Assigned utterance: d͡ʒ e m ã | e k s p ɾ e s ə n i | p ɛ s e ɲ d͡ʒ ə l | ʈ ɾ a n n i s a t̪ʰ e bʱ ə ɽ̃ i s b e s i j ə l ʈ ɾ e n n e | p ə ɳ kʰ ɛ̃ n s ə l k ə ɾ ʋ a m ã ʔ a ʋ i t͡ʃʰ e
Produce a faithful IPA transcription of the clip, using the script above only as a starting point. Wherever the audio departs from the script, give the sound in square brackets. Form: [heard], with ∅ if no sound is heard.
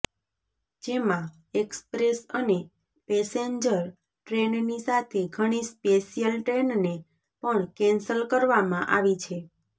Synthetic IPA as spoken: d͡ʒ e m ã | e k s p ɾ e s ə n [e] | p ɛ s e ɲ d͡ʒ ə [ɾ] | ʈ ɾ [e] n n i s a t̪ʰ e [ɡʱ] ə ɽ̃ i s [p] e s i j ə l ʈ ɾ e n n e | p ə ɳ [k] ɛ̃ n s ə l k ə ɾ ʋ a m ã ʔ a ʋ i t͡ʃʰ e